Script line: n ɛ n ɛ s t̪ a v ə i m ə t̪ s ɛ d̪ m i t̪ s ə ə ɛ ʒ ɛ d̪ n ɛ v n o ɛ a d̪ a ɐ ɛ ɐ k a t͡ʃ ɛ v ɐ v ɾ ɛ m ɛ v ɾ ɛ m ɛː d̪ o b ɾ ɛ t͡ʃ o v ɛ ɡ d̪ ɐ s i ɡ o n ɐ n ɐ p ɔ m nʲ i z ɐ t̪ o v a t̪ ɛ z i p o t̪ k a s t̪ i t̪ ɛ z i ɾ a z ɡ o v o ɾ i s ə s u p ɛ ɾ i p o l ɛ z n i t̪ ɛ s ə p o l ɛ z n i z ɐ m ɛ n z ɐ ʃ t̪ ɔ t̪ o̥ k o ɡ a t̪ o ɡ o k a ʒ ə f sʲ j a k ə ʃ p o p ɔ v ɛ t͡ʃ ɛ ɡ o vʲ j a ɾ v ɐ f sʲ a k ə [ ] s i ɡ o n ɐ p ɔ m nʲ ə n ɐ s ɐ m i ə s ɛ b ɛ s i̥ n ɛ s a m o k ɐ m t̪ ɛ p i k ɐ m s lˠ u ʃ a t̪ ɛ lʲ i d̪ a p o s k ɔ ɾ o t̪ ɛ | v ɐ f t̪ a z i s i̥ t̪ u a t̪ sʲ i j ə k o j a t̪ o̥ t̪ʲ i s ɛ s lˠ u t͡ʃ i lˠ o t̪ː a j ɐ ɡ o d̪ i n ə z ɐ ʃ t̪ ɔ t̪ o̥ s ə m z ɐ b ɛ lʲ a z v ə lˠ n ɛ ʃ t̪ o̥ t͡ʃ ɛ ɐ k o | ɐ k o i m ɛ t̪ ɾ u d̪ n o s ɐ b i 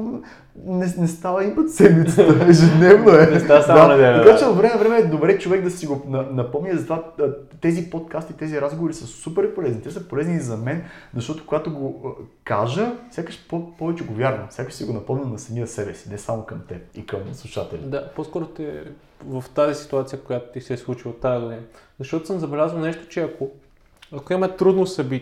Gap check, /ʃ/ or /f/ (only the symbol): ʃ